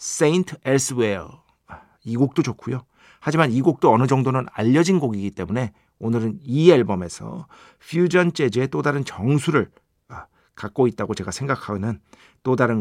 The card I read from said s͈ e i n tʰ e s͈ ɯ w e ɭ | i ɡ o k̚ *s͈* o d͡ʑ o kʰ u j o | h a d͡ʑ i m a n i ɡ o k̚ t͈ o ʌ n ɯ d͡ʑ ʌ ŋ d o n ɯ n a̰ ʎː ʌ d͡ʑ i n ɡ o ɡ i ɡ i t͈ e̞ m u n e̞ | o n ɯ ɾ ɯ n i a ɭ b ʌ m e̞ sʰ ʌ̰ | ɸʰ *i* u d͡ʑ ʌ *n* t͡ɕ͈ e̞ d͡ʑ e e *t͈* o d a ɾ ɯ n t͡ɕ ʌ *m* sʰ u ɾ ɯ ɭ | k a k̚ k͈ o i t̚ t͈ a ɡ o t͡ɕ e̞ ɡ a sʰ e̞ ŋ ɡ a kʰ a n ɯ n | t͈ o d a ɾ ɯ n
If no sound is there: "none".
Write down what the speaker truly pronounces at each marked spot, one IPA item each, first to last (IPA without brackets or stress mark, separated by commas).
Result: t͈, j, n, t͈, ŋ